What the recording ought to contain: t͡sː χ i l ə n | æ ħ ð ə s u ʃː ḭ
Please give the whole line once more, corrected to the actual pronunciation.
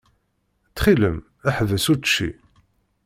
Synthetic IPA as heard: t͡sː χ i l ə m | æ ħ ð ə s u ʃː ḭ